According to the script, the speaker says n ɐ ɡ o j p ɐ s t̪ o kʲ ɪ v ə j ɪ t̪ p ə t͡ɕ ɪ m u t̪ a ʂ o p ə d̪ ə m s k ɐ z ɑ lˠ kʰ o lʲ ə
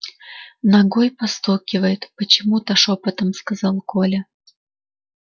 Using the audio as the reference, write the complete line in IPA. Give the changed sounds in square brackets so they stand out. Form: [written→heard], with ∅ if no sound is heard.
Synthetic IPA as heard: n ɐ ɡ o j p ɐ s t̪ o kʲ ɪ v ə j ɪ t̪ p ə t͡ɕ ɪ m u t̪ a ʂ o p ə [d̪→t̪] ə m s k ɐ z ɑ lˠ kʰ o lʲ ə